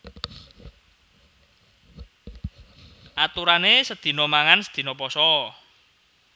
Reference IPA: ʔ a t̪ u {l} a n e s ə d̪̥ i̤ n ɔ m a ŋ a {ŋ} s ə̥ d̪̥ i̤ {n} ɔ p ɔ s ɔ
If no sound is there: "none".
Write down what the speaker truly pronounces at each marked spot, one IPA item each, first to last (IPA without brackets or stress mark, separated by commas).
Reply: ɾ, n, n